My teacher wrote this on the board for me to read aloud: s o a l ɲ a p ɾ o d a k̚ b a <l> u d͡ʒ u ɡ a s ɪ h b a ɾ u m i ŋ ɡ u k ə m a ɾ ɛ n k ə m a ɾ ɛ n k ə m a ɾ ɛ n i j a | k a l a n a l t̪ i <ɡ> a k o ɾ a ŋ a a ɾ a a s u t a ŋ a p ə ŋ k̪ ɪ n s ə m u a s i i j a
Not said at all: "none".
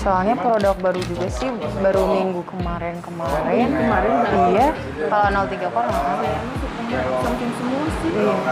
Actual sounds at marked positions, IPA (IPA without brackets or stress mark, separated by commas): ɾ, ɡ